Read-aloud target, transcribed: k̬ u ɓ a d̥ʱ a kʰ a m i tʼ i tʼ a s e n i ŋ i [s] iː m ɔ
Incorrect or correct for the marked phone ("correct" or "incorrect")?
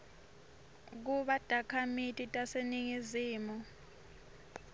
incorrect